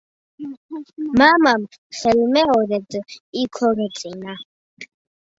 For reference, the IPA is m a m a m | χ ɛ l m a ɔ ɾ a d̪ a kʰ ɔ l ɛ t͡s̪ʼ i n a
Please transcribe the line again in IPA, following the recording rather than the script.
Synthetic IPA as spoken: m a m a m | χ ɛ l m ɛ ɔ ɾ ɛ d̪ i kʰ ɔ ɾ ɛ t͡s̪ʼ i n a

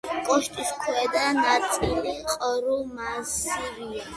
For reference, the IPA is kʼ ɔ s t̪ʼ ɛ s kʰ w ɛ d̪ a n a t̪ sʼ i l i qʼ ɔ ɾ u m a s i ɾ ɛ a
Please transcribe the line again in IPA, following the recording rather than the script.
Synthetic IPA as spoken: kʼ ɔ ʃ t̪ʼ i s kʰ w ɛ d̪ a n a t̪ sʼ i l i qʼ ɔ ɾ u m a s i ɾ i a

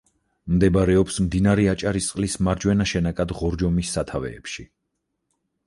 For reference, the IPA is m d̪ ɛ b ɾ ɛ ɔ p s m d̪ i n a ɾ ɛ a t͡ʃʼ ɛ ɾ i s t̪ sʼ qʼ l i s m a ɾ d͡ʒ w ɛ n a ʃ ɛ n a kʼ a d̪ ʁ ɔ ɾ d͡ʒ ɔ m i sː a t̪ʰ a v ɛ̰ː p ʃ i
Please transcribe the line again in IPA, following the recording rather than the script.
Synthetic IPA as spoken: m d̪ ɛ b ɾ ɛ ɔ p s m d̪ i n a ɾ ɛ a t͡ʃʼ a ɾ i s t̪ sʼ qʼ l i s m a ɾ d͡ʒ w ɛ n a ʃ ɛ n a kʼ a d̪ ʁ ɔ ɾ d͡ʒ ɔ m i sː a t̪ʰ a v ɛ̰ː p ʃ i

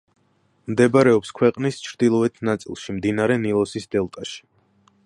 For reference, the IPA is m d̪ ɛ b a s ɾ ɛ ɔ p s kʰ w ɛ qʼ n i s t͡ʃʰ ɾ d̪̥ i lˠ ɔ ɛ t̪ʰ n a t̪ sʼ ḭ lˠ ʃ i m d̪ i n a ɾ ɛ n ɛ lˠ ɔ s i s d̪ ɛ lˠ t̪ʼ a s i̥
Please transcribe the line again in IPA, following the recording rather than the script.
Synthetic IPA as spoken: m d̪ ɛ b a ɾ ɛ ɔ p s kʰ w ɛ qʼ n i s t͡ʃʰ ɾ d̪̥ i lˠ ɔ ɛ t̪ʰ n a t̪ sʼ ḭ lˠ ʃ i m d̪ i n a ɾ ɛ n i lˠ ɔ s i s d̪ ɛ lˠ t̪ʼ a ʃ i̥

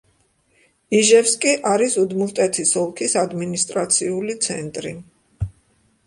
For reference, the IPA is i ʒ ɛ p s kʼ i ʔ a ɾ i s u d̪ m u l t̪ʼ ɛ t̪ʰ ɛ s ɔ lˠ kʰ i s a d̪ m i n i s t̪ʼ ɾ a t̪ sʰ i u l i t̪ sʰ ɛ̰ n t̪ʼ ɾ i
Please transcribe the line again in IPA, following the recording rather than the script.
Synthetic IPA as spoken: i ʒ ɛ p s kʼ i ʔ a ɾ i s u d̪ m u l t̪ʼ ɛ t̪ʰ i s ɔ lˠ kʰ i s a d̪ m i n i s t̪ʼ ɾ a t̪ sʰ i u l i t̪ sʰ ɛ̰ n t̪ʼ ɾ i

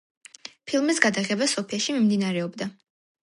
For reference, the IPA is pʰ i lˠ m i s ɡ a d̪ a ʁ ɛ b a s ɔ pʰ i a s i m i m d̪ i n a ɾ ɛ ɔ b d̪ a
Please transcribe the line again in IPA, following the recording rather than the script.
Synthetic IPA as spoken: pʰ i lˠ m i s ɡ a d̪ a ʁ ɛ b a s ɔ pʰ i a ʃ i m i m d̪ i n a ɾ ɛ ɔ b d̪ a

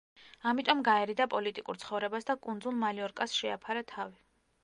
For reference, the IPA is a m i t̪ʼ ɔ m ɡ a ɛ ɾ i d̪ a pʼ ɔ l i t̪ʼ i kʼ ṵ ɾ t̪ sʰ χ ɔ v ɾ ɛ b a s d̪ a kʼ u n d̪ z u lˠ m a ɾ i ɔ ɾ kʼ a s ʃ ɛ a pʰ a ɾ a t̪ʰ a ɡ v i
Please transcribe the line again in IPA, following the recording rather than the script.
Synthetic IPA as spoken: a m i t̪ʼ ɔ m ɡ a ɛ ɾ i d̪ a pʼ ɔ l i t̪ʼ i kʼ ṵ ɾ t̪ sʰ χ ɔ v ɾ ɛ b a s d̪ a kʼ u n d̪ z u lˠ m a l i ɔ ɾ kʼ a s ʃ ɛ a pʰ a ɾ a t̪ʰ a v i

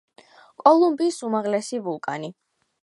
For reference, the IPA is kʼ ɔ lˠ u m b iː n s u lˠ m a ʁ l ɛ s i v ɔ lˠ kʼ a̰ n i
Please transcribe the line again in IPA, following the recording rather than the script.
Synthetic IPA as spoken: kʼ ɔ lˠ u m b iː s u m a ʁ l ɛ s i v u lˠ kʼ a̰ n i

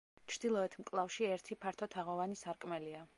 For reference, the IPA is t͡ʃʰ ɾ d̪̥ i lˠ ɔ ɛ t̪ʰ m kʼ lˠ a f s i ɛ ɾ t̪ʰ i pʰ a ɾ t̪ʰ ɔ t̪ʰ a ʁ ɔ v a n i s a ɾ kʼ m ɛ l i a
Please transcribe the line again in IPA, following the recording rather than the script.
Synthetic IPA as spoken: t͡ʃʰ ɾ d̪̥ i lˠ ɔ ɛ t̪ʰ m kʼ lˠ a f ʃ i ɛ ɾ t̪ʰ i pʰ a ɾ t̪ʰ ɔ t̪ʰ a ʁ ɔ v a n i s a ɾ kʼ m ɛ l i a

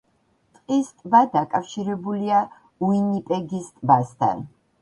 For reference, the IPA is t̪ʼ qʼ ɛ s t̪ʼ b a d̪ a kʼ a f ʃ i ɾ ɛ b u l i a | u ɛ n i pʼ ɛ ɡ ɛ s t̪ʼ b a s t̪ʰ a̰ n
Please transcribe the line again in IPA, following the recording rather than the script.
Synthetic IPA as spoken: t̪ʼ qʼ i s t̪ʼ b a d̪ a kʼ a f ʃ i ɾ ɛ b u l i a | u i n i pʼ ɛ ɡ i s t̪ʼ b a s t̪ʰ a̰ n

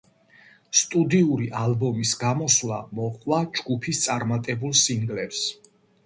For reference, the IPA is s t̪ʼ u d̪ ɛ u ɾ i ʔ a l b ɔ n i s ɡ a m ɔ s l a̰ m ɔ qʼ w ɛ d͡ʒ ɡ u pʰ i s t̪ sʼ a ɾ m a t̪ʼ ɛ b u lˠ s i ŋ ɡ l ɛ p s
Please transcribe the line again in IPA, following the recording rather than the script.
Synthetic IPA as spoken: s t̪ʼ u d̪ i u ɾ i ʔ a l b ɔ m i s ɡ a m ɔ s l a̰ m ɔ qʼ w a d͡ʒ ɡ u pʰ i s t̪ sʼ a ɾ m a t̪ʼ ɛ b u lˠ s i ŋ ɡ l ɛ p s

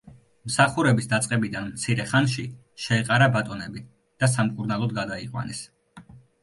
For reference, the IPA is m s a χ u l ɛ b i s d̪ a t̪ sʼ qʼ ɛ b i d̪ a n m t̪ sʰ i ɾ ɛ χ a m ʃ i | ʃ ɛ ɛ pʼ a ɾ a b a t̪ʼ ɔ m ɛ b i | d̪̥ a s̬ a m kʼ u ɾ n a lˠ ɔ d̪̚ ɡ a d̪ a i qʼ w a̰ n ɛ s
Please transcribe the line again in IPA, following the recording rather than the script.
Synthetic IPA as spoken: m s a χ u ɾ ɛ b i s d̪ a t̪ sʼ qʼ ɛ b i d̪ a n m t̪ sʰ i ɾ ɛ χ a n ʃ i | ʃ ɛ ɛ qʼ a ɾ a b a t̪ʼ ɔ n ɛ b i | d̪̥ a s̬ a m kʼ u ɾ n a lˠ ɔ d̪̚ ɡ a d̪ a i qʼ w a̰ n ɛ s

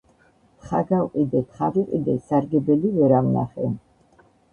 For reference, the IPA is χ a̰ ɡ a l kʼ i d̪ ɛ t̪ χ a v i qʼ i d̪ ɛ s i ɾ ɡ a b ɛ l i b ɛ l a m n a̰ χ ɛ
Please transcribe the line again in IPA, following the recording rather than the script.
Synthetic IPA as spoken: χ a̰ ɡ a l qʼ i d̪ ɛ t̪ χ a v i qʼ i d̪ ɛ s a ɾ ɡ ɛ b ɛ l i v ɛ ɾ a m n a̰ χ ɛ

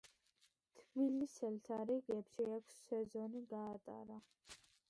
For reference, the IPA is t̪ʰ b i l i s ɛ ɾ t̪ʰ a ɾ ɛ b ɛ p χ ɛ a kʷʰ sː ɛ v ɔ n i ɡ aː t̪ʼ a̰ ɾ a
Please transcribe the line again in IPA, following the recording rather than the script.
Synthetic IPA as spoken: t̪ʰ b i l i s ɛ l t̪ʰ a ɾ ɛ ɡ ɛ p ʃ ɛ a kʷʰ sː ɛ z ɔ n i ɡ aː t̪ʼ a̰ ɾ a

